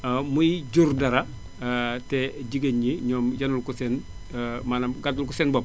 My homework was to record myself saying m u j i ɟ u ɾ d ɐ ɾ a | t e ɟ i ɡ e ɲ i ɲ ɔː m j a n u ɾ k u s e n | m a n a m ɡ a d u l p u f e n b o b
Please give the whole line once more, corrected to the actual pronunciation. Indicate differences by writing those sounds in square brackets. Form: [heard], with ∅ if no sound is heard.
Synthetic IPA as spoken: m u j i ɟ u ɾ d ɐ ɾ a | t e ɟ i ɡ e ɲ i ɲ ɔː m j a n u [l] k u s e n | m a n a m ɡ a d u l [k] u [s] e n b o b